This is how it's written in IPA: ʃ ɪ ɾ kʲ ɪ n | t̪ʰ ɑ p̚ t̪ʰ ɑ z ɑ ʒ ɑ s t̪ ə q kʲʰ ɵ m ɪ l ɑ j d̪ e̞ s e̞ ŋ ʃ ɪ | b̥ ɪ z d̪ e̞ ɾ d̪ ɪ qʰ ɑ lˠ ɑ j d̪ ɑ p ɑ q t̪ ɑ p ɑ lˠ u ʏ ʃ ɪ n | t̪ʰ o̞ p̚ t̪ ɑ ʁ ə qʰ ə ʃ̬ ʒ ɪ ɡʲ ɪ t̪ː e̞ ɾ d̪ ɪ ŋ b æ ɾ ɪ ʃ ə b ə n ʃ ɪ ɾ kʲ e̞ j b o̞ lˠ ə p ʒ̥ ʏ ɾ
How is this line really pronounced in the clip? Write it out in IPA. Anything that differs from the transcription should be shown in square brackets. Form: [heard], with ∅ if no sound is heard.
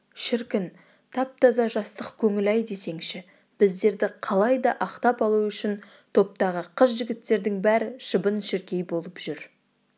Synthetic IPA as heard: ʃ ɪ ɾ kʲ ɪ n | t̪ʰ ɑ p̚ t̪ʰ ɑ z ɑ ʒ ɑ s t̪ ə q kʲʰ ɵ [ŋ] ɪ l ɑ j d̪ e̞ s e̞ ŋ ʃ ɪ | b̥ ɪ z d̪ e̞ ɾ d̪ ɪ qʰ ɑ lˠ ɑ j d̪ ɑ [ʔ] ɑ q t̪ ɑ p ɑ lˠ u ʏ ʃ ɪ n | t̪ʰ o̞ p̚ t̪ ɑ ʁ ə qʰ ə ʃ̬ ʒ ɪ ɡʲ ɪ t̪ː e̞ ɾ d̪ ɪ ŋ b æ ɾ ɪ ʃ ə b ə n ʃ ɪ ɾ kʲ e̞ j b o̞ lˠ ə p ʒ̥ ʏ ɾ